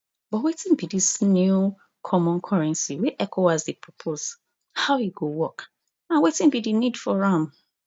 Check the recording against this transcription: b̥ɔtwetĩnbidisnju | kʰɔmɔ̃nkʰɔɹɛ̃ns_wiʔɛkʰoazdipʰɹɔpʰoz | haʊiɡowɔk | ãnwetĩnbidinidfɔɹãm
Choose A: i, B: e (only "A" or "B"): A